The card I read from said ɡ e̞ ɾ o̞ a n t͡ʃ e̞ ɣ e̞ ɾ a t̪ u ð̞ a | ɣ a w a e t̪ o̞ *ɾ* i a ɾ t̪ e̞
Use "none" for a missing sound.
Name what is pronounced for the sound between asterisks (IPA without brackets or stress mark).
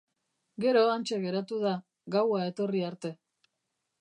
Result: r